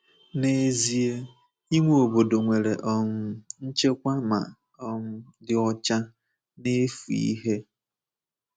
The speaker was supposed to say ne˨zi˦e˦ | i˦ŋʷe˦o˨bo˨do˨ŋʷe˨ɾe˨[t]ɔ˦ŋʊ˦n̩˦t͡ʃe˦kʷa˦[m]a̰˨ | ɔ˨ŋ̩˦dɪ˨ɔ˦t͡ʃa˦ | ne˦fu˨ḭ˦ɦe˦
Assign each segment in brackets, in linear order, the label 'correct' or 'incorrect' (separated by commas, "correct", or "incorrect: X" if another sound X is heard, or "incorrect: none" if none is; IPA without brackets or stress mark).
incorrect: ʔ, correct